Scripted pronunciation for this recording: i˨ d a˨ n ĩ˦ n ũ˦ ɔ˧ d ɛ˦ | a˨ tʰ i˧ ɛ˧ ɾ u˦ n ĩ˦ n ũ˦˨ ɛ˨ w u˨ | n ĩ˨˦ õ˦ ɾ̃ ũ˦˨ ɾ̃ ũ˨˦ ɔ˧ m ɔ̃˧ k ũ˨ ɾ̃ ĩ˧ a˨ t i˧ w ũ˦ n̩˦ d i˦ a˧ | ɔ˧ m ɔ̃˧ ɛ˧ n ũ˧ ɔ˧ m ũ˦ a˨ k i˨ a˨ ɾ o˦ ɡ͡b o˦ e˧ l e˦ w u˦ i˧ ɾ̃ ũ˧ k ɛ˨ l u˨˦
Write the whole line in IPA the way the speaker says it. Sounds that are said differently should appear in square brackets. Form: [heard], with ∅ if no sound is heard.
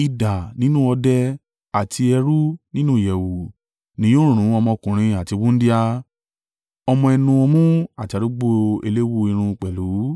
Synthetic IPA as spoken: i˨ d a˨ n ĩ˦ n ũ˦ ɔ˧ d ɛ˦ | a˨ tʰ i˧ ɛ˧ ɾ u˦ n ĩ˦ n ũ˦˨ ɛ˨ w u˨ | n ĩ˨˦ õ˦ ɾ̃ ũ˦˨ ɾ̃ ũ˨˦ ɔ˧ m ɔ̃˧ k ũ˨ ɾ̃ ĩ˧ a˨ t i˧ w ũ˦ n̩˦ d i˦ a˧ | ɔ˧ m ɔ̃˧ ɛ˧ n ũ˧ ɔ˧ m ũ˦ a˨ [t] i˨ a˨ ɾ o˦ ɡ͡b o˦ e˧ l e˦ w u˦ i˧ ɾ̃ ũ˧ [k͡p] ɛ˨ l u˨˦